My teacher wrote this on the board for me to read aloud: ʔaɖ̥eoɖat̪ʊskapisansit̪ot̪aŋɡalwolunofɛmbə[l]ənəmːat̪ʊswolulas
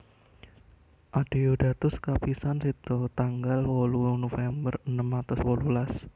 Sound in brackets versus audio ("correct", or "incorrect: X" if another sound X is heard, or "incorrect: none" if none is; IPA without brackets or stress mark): incorrect: r